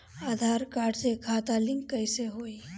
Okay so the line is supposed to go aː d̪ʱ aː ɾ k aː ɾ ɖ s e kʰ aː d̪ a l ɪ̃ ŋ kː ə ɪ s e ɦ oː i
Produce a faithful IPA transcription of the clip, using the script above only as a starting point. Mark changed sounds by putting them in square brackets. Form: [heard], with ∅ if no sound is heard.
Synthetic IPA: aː d̪ʱ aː ɾ k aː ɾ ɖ s e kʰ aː [t̪] a l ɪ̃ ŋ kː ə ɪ s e ɦ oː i

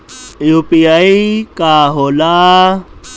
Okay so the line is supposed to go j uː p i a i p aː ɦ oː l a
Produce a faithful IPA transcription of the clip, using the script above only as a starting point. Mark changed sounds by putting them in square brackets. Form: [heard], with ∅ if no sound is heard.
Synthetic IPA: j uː p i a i [k] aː ɦ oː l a

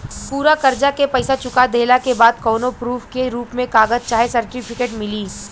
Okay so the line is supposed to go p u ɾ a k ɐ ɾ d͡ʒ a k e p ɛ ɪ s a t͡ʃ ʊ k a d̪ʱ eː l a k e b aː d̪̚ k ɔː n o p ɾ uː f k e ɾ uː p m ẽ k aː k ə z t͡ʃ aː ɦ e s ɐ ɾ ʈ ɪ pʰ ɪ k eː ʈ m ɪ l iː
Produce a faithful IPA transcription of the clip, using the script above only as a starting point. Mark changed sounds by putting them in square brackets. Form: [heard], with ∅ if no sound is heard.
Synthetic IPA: p [uː] ɾ a k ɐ ɾ d͡ʒ a k e p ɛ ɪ s a t͡ʃ ʊ k a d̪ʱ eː l a k e b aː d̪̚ k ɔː n o p ɾ uː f k e ɾ uː p m ẽ k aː [ɡ] ə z t͡ʃ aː ɦ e s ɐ ɾ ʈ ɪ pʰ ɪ k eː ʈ m ɪ l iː

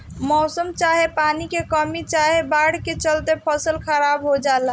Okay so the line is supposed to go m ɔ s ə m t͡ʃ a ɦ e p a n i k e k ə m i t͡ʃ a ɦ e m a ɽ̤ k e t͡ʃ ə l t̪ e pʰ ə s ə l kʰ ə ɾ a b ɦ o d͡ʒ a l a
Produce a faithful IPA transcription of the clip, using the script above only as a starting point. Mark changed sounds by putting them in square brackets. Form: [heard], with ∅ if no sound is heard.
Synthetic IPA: m ɔ s ə m t͡ʃ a ɦ e p a n i k e k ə m i t͡ʃ a ɦ e [b] a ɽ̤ k e t͡ʃ ə l t̪ e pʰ ə s ə l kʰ ə ɾ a b ɦ o d͡ʒ a l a

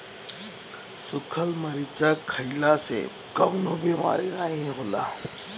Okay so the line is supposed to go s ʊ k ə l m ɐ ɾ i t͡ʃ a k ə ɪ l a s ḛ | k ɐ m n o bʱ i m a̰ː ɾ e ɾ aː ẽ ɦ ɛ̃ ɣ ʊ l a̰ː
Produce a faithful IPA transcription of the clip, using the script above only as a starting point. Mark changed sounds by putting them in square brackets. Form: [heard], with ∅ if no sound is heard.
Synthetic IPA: s ʊ [kʰ] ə l m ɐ ɾ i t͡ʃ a [kʰ] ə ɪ l a s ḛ | k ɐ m n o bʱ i m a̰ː ɾ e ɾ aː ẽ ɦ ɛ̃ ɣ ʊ l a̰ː

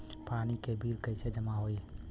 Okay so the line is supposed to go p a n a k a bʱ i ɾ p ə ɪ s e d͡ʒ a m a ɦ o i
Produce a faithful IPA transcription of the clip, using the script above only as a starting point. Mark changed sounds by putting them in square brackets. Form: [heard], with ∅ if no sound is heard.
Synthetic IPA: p a n [i] k [e] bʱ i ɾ [k] ə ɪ s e d͡ʒ [ə] m a ɦ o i

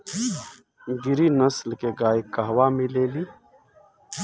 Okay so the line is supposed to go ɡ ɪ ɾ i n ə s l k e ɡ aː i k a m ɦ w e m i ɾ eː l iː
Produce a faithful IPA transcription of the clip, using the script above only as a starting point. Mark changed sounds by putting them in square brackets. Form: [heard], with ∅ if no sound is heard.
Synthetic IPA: ɡ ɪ ɾ i n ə s l k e ɡ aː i k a [∅] ɦ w [a] m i [l] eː l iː

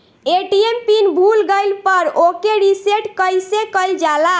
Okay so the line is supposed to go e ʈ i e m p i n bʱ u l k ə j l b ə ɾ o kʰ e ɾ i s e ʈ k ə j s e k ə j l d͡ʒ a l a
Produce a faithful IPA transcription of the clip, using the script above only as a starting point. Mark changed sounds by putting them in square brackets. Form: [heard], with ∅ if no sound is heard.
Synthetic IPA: e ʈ i e m p i n bʱ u l [ɡ] ə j l [p] ə ɾ o [k] e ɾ i s e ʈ k ə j s e k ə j l d͡ʒ a l a

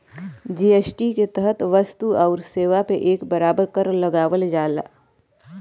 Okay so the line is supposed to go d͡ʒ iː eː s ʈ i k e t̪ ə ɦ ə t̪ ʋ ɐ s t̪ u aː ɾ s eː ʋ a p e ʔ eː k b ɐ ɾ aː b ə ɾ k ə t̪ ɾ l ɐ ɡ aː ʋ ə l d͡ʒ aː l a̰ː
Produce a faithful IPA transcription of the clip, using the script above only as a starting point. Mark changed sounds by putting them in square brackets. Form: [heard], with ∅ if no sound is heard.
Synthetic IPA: d͡ʒ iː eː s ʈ i k e t̪ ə ɦ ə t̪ ʋ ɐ s t̪ u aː ɾ s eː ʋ a p e ʔ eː k b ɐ ɾ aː b ə ɾ k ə [∅] ɾ l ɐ ɡ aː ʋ ə l d͡ʒ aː l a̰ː

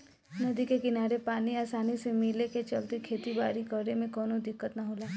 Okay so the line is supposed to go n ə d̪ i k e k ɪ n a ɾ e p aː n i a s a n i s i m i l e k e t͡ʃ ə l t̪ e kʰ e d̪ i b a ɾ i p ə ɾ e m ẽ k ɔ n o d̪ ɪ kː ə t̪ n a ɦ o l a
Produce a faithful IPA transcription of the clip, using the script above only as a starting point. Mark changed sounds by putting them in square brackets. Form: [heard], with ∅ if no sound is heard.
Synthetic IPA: n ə d̪ i k e k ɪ n a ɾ e p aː n i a s a n i s [e] m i l e k e t͡ʃ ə l t̪ e kʰ e [t̪] i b a ɾ i [k] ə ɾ e m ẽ k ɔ n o d̪ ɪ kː ə t̪ n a ɦ o l a

